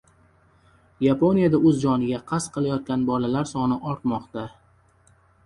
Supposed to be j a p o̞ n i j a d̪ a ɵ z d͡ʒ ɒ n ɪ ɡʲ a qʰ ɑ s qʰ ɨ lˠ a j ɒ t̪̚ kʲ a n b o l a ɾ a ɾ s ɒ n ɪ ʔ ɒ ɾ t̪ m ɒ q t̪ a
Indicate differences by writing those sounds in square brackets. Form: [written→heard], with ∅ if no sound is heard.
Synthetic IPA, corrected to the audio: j a p o̞ n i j a d̪ a ɵ z d͡ʒ ɒ n ɪ ɡʲ a qʰ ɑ s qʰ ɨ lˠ a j ɒ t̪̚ kʲ a n b [o→ɒ] l a [ɾ→l] a ɾ s ɒ n ɪ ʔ ɒ ɾ t̪ m ɒ q t̪ a